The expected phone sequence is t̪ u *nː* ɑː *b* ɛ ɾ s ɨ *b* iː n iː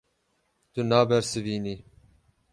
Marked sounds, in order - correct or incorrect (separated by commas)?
incorrect, correct, incorrect